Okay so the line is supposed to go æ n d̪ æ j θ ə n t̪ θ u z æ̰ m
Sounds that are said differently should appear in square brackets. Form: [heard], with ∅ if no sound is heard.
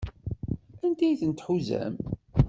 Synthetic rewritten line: æ n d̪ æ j θ ə n t̪ [ħ] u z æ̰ m